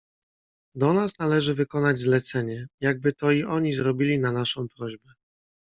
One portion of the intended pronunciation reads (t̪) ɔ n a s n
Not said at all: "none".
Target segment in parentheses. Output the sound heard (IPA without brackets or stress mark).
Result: d̪